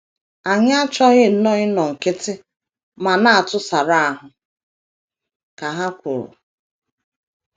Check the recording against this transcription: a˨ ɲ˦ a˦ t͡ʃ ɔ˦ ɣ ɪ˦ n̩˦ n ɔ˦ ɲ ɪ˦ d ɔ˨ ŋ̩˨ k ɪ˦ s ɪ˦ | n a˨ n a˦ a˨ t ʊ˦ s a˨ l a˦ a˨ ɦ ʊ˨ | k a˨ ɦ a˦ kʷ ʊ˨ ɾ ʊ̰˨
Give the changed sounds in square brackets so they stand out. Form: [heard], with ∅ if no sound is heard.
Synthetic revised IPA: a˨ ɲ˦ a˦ t͡ʃ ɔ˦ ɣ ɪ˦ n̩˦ n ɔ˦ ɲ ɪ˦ [n] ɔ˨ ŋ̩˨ k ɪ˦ [t] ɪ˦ | [m] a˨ n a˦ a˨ t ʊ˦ s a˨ [ɾ] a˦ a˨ ɦ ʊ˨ | k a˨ ɦ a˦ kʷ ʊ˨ ɾ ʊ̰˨